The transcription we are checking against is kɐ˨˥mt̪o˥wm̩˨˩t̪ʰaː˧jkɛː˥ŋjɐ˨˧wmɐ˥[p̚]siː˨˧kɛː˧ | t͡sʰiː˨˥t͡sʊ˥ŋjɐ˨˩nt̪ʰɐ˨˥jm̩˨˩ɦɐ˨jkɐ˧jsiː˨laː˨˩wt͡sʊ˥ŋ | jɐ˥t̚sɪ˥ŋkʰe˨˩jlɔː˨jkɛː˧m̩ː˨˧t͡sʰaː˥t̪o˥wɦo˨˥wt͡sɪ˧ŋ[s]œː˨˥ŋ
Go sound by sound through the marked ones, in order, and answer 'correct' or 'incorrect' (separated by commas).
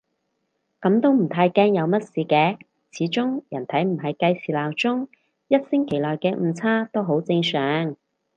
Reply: incorrect, correct